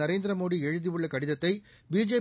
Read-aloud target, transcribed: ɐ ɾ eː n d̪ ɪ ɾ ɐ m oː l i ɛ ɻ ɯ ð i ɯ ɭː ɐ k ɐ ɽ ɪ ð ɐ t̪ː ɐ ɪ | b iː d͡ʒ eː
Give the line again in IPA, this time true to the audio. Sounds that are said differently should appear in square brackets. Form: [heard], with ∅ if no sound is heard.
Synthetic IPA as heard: ɐ ɾ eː n d̪ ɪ ɾ ɐ m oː [ɽ] i ɛ ɻ ɯ ð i ɯ ɭː ɐ k ɐ ɽ ɪ ð ɐ t̪ː ɐ ɪ | b iː d͡ʒ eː

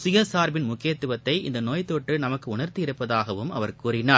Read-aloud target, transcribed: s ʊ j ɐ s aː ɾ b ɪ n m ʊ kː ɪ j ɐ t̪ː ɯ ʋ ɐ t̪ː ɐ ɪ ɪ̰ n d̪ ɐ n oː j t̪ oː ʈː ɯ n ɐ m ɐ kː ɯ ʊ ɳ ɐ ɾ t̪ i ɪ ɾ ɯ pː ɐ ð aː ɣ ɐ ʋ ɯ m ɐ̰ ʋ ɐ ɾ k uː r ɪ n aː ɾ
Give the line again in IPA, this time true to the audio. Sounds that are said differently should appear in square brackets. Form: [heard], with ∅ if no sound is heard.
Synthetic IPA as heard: s ʊ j ɐ s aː ɾ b ɪ n m ʊ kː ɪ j ɐ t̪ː ɯ ʋ ɐ t̪ː ɐ ɪ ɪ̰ n d̪ ɐ n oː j t̪ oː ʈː ɯ n ɐ m ɐ kː ɯ ʊ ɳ ɐ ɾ t̪ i ɪ ɾ ɯ pː ɐ ð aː ɣ ɐ ʋ ɯ m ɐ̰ ʋ ɐ ɾ k uː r ɪ n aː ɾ

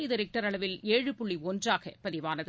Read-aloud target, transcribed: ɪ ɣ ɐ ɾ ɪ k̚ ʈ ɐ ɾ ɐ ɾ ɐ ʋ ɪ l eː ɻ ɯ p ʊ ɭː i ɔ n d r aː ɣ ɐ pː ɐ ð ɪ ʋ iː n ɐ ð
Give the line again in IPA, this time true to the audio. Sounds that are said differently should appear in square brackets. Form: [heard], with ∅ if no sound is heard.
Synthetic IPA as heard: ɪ [ð] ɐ ɾ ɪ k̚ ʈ ɐ ɾ ɐ [ɭ] ɐ ʋ ɪ l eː ɻ ɯ p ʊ ɭː i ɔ n d r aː ɣ ɐ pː ɐ ð ɪ ʋ [aː] n ɐ ð

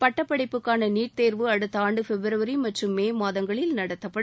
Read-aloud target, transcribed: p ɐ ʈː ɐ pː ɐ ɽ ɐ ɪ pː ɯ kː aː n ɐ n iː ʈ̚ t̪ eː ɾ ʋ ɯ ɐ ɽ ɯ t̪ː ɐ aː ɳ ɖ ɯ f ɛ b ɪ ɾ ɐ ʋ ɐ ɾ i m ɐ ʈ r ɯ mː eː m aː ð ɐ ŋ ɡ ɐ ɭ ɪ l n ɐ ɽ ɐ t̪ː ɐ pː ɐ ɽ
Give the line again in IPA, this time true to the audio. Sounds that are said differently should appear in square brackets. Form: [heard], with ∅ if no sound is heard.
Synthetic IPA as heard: p ɐ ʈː ɐ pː ɐ ɽ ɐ ɪ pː ɯ kː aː n ɐ n iː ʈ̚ t̪ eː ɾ ʋ ɯ ɐ ɽ ɯ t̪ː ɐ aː ɳ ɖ ɯ f ɛ b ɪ ɾ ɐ ʋ ɐ ɾ i m ɐ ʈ r ɯ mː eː m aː ð ɐ ŋ ɡ ɐ ɭ ɪ l n ɐ ɽ ɐ t̪ː ɐ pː ɐ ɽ

